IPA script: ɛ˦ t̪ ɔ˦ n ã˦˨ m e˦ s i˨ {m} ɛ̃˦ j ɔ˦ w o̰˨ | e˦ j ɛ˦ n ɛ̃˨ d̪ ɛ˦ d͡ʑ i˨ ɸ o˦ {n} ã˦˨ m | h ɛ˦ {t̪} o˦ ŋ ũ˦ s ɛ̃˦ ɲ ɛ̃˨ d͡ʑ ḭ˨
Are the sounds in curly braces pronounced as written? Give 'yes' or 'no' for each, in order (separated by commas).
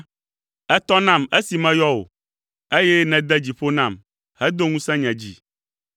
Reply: yes, yes, no